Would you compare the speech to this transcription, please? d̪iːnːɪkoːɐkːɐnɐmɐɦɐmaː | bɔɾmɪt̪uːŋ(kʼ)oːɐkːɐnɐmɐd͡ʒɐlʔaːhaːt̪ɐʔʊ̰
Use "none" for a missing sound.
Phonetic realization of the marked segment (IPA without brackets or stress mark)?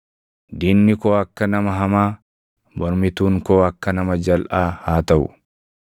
k